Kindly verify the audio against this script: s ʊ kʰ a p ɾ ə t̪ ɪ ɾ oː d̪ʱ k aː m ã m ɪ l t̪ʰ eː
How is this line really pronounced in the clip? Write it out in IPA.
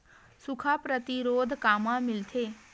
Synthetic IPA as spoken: s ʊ kʰ a p ɾ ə t̪ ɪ ɾ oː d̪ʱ k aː m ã m ɪ l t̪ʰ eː